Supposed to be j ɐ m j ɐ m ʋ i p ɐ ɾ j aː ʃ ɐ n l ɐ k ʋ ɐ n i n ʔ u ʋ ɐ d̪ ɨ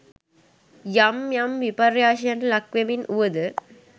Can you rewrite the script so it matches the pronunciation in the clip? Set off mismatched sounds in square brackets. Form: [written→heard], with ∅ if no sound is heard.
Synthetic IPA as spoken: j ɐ m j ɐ m ʋ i p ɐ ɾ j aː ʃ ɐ n l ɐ k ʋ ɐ [n→m] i n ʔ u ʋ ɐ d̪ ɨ